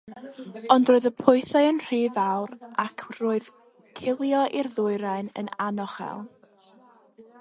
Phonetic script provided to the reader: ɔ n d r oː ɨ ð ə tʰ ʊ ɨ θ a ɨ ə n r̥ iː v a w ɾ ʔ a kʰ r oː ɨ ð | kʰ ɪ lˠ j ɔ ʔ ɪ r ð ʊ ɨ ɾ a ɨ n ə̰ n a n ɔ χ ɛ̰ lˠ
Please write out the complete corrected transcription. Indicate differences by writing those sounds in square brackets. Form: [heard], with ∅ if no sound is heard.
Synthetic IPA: ɔ n d r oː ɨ ð ə [pʰ] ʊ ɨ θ a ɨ ə n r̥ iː v a w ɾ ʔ a kʰ r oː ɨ ð | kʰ ɪ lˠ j ɔ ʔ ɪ r ð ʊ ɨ ɾ a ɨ n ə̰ n a n ɔ χ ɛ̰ lˠ